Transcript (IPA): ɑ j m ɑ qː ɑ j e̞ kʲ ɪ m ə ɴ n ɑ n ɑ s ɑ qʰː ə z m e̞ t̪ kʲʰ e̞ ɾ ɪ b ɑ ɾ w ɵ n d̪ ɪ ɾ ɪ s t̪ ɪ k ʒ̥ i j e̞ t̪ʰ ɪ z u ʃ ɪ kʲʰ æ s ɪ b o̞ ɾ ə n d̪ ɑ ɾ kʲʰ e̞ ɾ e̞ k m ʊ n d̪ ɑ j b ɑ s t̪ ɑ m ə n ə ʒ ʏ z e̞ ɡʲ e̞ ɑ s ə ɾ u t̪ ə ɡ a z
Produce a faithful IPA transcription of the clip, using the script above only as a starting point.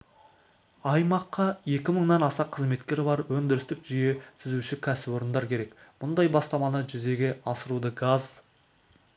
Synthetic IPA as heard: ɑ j m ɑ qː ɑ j e̞ kʲ ɪ m ə ɴ n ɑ n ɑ s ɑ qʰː ə z m e̞ t̪ kʲ e̞ ɾ ɪ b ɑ ɾ w ɵ n d̪ ɪ ɾ ɪ s t̪ ɪ k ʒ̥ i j e̞ t̪ʰ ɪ z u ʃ ɪ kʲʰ æ s ɪ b o̞ ɾ ə n d̪ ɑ ɾ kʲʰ e̞ ɾ e̞ k m ʊ n d̪ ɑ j b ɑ s t̪ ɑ m ɑ n ə ʒ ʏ z e̞ ɡʲ e̞ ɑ s ə ɾ u d̪ ə ɡ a z